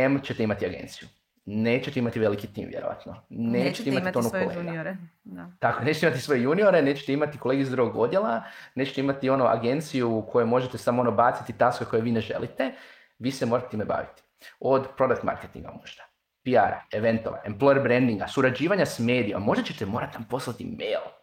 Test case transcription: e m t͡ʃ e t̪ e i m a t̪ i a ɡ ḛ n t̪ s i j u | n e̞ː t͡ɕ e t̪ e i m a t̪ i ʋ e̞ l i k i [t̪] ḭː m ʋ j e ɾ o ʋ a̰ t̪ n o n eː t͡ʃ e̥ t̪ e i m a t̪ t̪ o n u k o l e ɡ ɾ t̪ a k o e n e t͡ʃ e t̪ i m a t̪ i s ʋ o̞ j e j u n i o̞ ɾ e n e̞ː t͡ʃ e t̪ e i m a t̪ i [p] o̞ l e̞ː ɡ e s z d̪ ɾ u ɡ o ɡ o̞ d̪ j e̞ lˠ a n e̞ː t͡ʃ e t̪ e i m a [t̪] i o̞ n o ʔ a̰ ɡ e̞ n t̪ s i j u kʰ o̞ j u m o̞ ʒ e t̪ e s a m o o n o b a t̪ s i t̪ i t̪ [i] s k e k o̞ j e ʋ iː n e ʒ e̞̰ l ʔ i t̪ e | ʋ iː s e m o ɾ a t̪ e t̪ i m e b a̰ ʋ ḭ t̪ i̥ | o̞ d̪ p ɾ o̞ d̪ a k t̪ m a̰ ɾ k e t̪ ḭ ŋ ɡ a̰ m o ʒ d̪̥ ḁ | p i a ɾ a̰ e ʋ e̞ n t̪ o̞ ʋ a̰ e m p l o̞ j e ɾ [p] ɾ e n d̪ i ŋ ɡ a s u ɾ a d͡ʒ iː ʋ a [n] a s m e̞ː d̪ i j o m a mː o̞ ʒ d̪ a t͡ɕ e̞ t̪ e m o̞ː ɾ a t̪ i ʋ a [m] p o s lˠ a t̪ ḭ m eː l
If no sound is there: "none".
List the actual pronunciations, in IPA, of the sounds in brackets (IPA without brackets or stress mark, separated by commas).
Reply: t̪, k, t̪, a, b, ɲ, m